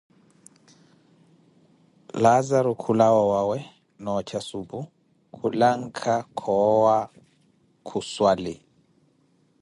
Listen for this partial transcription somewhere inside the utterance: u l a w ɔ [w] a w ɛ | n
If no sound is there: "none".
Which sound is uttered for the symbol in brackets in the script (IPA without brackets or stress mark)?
w